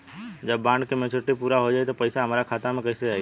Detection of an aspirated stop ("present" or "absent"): present